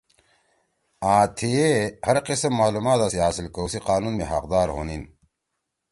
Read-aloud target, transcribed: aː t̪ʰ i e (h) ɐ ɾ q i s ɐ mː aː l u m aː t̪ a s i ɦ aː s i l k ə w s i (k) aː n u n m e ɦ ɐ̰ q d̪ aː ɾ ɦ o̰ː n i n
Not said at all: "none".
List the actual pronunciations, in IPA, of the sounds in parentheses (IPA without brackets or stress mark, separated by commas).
h, q